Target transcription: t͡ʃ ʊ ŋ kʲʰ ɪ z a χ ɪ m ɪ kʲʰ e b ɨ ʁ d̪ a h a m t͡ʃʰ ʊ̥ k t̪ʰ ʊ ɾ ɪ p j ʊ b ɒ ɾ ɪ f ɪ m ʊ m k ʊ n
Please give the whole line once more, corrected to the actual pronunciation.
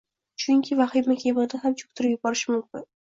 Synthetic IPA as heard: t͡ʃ ʊ ŋ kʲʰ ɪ v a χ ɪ m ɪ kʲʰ e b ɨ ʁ d̪ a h a m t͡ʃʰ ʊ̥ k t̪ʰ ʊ ɾ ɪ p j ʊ b ɒ ɾ ɪ ʃ ɪ m ʊ m k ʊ n